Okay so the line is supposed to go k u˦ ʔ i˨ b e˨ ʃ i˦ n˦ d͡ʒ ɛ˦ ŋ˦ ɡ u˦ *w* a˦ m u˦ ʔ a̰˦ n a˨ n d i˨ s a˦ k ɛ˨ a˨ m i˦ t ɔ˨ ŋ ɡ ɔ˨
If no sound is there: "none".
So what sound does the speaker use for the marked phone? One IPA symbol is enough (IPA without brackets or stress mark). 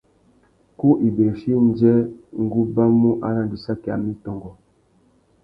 b